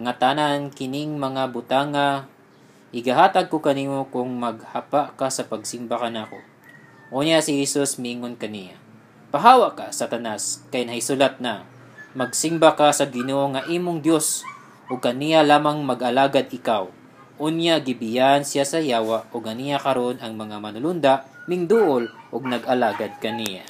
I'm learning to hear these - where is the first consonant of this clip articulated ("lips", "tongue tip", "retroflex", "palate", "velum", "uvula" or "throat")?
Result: velum